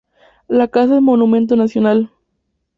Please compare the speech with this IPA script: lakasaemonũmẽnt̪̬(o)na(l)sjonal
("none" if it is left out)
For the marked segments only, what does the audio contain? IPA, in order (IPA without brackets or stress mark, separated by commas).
o, none